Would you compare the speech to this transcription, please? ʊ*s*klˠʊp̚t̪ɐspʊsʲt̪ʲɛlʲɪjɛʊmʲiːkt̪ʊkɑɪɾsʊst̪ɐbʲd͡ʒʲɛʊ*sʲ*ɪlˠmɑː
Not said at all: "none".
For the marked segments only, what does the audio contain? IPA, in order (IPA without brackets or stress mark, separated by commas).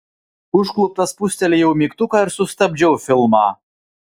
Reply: ʃ, fʲ